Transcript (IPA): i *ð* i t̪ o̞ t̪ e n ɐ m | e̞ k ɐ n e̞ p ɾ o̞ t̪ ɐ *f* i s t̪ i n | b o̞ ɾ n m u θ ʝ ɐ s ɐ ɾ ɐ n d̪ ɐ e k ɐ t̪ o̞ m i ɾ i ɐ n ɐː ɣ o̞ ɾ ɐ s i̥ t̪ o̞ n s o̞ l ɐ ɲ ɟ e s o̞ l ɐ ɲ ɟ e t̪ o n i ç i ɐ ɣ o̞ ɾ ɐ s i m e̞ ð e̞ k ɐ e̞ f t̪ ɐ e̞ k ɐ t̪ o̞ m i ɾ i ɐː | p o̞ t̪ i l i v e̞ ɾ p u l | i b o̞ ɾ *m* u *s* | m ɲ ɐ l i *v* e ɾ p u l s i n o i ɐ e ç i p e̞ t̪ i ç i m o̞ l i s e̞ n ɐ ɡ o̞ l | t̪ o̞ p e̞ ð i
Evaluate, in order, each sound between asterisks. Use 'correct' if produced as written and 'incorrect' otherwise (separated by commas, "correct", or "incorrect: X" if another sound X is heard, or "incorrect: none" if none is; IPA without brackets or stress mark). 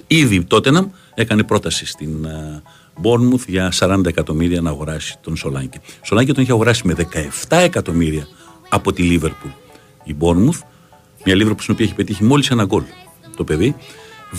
correct, incorrect: s, correct, incorrect: θ, correct